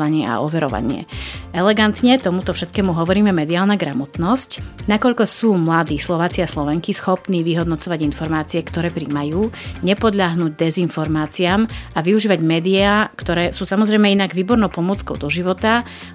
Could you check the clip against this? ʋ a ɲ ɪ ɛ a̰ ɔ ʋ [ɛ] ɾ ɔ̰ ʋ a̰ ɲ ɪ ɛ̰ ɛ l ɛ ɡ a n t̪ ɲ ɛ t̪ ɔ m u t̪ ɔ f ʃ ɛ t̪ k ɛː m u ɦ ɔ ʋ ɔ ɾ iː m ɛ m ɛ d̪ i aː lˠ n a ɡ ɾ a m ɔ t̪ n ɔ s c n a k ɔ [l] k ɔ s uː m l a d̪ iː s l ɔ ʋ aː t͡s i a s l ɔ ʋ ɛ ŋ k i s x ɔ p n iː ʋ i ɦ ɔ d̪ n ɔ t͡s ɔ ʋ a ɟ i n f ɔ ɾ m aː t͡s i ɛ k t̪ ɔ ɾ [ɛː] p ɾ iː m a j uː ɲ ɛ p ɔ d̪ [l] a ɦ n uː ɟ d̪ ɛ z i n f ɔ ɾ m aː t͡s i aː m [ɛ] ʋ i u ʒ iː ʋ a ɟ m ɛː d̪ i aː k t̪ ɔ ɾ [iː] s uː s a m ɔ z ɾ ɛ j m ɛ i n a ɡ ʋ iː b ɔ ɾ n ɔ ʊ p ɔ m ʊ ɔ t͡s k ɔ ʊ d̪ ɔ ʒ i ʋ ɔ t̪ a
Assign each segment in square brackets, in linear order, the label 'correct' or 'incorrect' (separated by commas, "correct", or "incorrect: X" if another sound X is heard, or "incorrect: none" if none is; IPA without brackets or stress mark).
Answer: correct, incorrect: ʎ, correct, incorrect: ʎ, incorrect: a, incorrect: ɛː